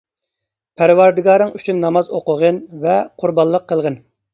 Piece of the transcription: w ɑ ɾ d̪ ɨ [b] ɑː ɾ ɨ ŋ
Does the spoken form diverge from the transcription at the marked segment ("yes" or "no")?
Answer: yes